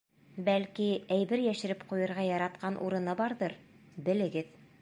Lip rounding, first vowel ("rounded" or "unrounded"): unrounded